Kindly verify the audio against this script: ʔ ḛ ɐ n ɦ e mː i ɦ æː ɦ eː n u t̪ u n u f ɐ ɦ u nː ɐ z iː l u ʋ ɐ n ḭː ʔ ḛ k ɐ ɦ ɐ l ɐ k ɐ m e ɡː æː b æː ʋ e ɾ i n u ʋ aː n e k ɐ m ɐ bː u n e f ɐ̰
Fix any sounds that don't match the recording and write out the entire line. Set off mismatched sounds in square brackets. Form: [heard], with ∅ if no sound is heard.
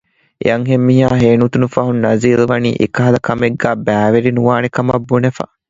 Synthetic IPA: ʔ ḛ ɐ [ŋ] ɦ e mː i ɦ [aː] ɦ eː n u t̪ u n u f ɐ ɦ u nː ɐ z iː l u ʋ ɐ n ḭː ʔ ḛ k ɐ ɦ ɐ l ɐ k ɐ m e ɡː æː b æː ʋ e ɾ i n u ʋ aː n e k ɐ m ɐ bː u n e f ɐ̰